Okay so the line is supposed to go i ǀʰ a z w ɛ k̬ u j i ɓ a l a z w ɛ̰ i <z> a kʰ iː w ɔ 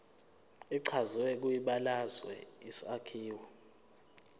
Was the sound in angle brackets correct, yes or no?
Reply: no